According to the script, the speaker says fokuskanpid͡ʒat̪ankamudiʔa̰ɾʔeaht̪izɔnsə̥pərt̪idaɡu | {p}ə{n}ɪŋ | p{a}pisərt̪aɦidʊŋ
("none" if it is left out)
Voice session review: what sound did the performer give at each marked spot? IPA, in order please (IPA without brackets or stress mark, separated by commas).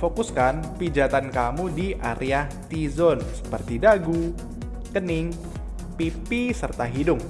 k, n, i